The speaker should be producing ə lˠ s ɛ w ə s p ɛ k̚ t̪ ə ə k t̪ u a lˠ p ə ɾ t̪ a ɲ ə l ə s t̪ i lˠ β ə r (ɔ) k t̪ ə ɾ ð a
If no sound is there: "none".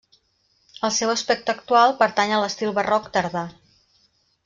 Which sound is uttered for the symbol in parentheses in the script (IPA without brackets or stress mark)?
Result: ɔ